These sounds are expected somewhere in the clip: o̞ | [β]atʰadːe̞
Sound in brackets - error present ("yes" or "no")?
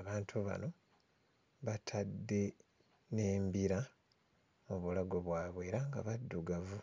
no